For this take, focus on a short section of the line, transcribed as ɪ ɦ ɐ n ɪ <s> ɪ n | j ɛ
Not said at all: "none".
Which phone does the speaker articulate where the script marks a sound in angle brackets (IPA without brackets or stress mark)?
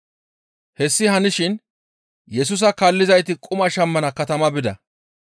ʃ